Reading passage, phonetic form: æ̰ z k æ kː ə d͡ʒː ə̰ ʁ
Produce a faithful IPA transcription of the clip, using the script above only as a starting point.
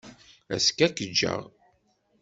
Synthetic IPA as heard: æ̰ s k æ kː ə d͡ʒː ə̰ ʁ